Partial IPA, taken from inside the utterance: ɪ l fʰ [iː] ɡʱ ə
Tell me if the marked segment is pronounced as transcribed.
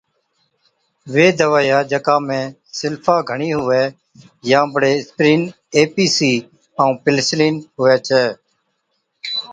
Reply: no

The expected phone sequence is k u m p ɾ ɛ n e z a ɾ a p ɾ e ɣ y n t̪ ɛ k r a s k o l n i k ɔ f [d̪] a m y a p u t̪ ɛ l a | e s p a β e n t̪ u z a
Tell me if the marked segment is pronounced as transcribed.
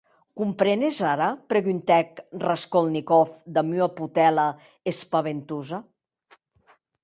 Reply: yes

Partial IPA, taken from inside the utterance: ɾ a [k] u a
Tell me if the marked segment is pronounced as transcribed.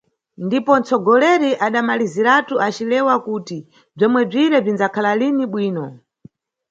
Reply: no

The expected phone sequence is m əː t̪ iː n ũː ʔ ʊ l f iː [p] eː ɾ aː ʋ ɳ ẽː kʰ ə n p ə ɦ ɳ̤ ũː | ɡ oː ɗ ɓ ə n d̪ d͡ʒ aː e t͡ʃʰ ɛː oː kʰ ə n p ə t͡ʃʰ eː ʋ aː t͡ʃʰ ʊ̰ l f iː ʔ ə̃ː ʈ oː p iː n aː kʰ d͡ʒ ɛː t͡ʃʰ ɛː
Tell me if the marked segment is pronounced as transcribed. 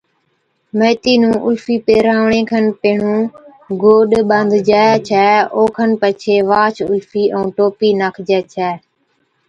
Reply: yes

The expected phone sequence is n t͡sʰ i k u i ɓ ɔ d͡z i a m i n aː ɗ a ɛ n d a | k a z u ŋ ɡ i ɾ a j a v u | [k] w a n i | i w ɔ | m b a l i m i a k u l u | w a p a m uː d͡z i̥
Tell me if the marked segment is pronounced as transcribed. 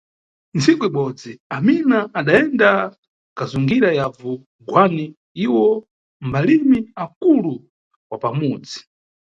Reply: no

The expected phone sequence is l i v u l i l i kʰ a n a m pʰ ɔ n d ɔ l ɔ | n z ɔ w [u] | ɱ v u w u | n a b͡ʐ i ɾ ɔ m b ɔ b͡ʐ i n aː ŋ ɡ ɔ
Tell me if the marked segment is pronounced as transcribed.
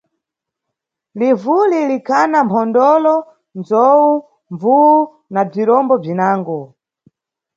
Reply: yes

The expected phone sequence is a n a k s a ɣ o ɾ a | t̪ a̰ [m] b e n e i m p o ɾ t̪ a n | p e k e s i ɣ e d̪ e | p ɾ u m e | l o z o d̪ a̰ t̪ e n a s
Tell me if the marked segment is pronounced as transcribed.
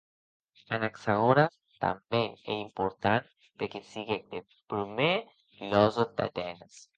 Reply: yes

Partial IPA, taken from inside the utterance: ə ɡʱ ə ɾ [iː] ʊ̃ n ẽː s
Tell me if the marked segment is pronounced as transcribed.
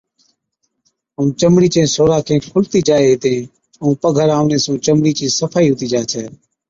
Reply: no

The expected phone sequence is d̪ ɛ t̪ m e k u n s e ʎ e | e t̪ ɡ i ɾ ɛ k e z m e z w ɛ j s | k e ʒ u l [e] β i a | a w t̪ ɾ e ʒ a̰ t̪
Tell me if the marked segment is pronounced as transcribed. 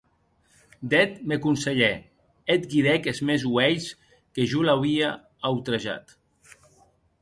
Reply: no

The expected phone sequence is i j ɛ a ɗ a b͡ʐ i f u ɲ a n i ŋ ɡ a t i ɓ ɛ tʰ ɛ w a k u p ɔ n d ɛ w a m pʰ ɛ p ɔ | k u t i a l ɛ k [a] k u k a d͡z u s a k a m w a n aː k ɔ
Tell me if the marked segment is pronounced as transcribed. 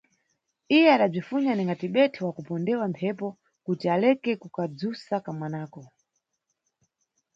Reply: no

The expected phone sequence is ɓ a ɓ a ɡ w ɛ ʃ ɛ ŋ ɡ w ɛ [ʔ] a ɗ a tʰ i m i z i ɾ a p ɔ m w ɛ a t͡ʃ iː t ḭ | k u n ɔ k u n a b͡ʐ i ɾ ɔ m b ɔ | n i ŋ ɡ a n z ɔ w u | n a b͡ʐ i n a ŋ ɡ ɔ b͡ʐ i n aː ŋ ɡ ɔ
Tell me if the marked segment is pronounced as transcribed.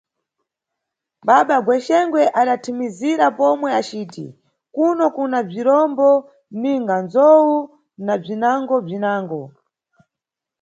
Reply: yes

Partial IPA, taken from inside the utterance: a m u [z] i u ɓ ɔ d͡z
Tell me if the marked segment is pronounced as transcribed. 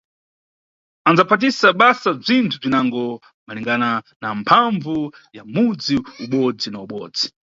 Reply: no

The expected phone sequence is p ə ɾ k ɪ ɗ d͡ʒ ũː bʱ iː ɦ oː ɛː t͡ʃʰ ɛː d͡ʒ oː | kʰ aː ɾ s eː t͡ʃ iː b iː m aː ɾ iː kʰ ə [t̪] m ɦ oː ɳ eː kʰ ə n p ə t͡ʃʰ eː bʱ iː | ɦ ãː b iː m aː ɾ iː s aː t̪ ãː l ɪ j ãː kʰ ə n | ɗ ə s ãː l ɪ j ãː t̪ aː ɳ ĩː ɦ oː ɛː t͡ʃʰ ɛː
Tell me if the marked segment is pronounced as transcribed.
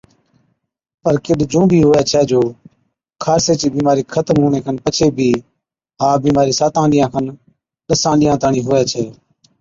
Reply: yes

